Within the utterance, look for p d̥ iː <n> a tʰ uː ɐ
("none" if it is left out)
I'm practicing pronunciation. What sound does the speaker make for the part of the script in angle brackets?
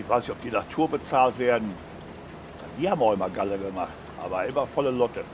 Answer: n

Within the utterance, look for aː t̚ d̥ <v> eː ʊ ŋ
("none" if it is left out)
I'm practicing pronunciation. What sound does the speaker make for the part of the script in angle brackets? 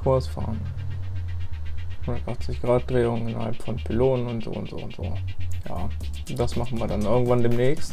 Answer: ʁ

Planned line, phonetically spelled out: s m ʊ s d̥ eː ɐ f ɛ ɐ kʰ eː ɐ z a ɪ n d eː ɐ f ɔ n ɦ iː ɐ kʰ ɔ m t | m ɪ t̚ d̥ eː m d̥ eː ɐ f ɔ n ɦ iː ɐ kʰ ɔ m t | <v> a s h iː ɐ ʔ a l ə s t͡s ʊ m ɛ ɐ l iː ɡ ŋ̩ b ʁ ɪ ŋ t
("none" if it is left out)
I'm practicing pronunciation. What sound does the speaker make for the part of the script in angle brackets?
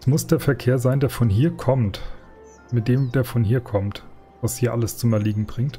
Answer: v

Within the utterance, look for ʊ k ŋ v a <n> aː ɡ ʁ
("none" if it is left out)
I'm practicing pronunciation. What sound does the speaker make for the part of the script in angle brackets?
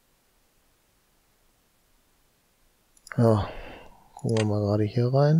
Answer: m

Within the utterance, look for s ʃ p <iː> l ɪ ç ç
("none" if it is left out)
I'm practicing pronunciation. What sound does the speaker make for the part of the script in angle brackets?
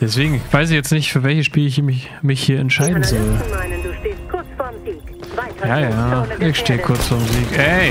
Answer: iː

